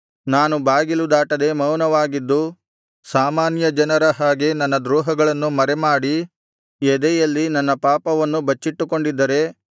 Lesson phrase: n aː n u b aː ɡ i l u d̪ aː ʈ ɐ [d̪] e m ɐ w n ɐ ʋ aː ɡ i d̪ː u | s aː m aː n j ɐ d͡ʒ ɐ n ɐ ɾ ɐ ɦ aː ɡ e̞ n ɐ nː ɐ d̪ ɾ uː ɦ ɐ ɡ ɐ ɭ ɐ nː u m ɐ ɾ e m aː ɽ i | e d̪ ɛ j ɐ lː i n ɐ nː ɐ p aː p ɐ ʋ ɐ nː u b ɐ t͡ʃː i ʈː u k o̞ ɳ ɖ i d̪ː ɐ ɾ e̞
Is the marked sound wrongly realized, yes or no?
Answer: no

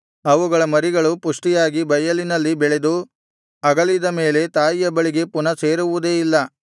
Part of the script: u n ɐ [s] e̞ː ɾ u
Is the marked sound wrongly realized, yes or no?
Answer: no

